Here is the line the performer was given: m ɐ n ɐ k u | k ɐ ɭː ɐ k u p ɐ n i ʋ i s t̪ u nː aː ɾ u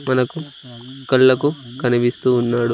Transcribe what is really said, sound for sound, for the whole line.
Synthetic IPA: m ɐ n ɐ k u | k ɐ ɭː ɐ k u k ɐ n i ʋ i s t̪ uː nː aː ɽ u